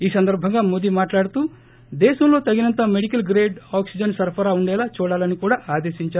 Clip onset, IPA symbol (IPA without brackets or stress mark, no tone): iː